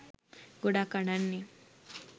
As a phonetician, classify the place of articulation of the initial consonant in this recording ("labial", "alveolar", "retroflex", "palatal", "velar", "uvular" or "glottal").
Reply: velar